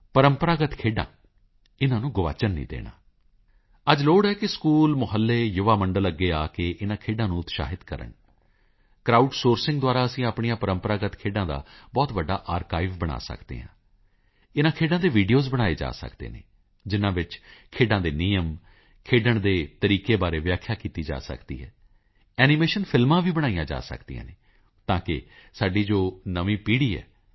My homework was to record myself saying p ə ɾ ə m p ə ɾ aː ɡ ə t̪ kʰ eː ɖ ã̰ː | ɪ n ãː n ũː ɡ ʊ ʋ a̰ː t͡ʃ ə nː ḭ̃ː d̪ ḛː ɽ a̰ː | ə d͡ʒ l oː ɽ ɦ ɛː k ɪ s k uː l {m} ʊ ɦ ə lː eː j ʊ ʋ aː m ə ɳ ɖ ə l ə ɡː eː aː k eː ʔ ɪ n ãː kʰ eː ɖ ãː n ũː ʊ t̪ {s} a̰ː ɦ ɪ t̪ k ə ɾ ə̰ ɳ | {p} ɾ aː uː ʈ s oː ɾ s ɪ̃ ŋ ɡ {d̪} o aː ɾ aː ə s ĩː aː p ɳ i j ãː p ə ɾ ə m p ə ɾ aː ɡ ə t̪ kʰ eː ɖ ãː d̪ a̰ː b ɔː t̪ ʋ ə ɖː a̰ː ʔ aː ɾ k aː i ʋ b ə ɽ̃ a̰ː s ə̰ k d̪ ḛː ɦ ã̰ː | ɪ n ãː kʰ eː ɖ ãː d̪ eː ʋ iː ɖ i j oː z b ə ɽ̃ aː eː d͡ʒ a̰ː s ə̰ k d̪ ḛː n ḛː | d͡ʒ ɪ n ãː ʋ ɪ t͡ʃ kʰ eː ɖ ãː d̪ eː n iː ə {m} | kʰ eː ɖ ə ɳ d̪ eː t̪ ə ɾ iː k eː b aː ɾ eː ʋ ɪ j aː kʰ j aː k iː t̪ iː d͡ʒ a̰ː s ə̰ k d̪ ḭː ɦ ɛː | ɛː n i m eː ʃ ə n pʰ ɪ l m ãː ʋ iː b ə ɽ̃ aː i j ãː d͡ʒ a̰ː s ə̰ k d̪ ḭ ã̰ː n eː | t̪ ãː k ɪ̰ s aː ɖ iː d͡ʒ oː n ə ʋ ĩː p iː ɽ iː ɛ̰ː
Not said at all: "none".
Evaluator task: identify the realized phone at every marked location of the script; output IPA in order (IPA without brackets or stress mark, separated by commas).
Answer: m, ʃ, k, d̪, m